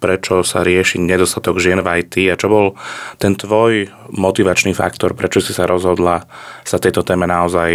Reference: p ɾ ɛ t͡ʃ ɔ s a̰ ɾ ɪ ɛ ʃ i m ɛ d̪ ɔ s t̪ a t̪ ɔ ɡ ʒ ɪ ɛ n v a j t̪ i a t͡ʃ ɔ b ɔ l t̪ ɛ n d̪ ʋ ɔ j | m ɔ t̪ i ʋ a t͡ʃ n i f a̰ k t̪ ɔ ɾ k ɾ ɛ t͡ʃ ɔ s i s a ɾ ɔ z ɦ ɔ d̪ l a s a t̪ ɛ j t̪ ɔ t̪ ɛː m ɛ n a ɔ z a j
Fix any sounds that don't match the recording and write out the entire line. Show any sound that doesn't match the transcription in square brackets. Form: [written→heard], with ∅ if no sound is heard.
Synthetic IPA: p ɾ ɛ t͡ʃ ɔ s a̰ ɾ ɪ ɛ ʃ i [m→ɲ] ɛ d̪ ɔ s t̪ a t̪ ɔ ɡ ʒ ɪ ɛ n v a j t̪ i a t͡ʃ ɔ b ɔ l t̪ ɛ n [d̪→t̪] ʋ ɔ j | m ɔ t̪ i ʋ a t͡ʃ n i f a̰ k t̪ ɔ ɾ [k→p] ɾ ɛ t͡ʃ ɔ s i s a ɾ ɔ z ɦ ɔ d̪ l a s a t̪ ɛ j t̪ ɔ t̪ ɛː m ɛ n a ɔ z a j